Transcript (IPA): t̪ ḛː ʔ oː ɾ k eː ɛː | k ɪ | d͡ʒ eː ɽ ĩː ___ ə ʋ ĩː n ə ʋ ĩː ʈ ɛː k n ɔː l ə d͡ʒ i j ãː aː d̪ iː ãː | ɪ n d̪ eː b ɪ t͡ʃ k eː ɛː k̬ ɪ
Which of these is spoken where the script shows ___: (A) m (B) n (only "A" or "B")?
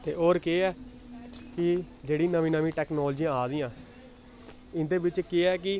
B